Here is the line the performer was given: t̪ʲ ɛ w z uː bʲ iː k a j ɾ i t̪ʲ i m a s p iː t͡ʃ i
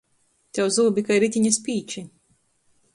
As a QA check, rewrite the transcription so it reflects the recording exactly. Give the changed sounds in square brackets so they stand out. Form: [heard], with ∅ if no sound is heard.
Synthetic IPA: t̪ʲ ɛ w z uː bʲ [i] k a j ɾ i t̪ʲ i [ɲ] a s p iː t͡ʃ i